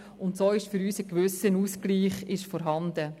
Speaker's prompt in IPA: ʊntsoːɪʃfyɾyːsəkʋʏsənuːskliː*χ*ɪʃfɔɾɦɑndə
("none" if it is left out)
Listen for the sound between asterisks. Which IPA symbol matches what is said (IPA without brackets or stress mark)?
χ